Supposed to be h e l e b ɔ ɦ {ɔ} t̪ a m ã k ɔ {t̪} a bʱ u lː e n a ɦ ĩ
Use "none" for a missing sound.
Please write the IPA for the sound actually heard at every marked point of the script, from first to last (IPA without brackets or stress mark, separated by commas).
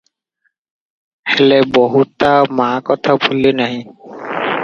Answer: u, t̪ʰ